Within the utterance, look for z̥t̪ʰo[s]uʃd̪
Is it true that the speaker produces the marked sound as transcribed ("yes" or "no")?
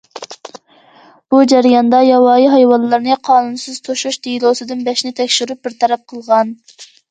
no